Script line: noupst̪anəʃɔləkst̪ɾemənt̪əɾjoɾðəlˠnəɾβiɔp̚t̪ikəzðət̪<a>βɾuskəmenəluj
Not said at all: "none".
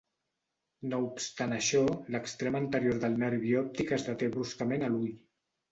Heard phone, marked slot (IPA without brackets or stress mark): e